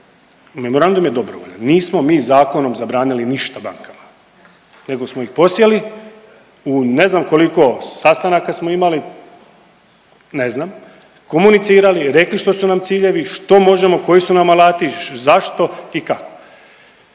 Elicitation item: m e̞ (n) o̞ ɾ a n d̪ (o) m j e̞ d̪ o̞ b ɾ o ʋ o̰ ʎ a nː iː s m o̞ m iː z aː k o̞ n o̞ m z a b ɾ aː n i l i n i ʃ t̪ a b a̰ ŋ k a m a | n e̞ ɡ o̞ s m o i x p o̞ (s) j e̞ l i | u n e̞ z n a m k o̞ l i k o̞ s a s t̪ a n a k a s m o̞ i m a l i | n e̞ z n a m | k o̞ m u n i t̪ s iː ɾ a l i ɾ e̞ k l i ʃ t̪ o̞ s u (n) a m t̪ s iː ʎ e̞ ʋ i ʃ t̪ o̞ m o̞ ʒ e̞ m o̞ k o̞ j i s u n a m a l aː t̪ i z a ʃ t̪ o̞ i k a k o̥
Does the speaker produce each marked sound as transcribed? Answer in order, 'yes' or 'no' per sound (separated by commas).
no, no, yes, yes